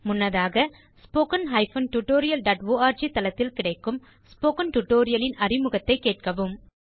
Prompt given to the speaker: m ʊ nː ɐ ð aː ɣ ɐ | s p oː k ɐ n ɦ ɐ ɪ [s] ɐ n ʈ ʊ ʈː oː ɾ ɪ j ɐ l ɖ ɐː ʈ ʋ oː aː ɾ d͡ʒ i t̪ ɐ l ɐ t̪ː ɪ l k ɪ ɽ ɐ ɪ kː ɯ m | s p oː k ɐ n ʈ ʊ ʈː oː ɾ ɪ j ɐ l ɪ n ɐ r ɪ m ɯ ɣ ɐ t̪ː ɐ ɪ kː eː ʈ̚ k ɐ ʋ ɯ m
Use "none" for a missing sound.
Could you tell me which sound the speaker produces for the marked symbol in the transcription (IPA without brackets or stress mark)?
f